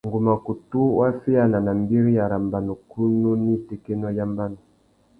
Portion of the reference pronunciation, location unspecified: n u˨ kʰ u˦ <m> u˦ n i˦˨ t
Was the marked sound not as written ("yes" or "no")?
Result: yes